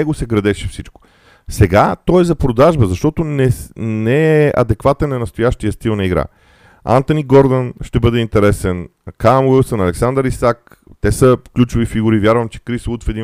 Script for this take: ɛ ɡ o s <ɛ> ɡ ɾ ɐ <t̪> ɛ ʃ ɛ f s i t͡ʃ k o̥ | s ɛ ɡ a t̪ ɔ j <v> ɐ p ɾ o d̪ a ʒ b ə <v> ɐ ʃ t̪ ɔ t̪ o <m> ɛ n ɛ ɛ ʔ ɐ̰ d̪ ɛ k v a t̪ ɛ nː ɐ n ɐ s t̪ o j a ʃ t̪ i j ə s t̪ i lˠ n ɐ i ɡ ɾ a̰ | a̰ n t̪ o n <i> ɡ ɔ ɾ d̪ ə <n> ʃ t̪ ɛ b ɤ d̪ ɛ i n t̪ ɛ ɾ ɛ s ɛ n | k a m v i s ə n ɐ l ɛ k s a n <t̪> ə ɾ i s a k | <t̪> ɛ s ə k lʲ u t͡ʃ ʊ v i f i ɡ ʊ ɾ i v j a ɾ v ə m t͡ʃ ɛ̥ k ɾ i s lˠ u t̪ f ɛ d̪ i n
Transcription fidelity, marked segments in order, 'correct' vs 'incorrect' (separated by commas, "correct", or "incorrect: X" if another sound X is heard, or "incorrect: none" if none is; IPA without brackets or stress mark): correct, incorrect: d̪, incorrect: z, incorrect: z, incorrect: n, correct, correct, incorrect: d̪, correct